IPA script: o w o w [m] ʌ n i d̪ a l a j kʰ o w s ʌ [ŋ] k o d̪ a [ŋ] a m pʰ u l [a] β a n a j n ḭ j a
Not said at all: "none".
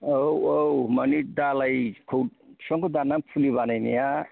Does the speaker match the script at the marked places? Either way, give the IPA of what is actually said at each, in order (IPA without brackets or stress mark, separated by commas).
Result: m, ŋ, n, i